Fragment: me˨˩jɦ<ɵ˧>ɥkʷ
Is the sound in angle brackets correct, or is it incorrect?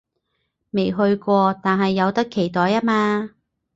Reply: correct